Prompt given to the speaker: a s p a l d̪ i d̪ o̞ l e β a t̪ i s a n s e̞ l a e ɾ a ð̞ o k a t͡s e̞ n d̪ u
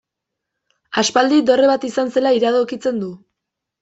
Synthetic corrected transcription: a s p a l d̪ i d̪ o̞ r e β a t̪ i s a n s e̞ l a i ɾ a ð̞ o k i t͡s e̞ n d̪ u